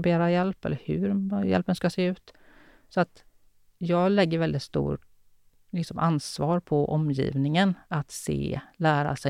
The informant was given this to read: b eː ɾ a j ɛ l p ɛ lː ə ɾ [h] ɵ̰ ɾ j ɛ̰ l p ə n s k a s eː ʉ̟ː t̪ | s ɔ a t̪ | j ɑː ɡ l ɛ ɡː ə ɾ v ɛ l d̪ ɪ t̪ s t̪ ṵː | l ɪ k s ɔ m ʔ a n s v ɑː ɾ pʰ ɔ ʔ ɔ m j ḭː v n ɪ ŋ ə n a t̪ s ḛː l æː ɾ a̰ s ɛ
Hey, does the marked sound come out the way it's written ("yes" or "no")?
yes